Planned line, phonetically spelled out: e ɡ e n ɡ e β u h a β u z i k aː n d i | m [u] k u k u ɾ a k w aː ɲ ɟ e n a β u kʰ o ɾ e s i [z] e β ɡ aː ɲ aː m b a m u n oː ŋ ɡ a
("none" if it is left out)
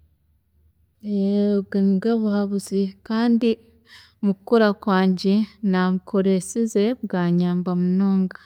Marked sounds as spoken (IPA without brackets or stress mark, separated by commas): u, z